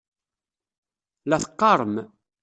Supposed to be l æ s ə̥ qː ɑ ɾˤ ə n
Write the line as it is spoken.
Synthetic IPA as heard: l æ θ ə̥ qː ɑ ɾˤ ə m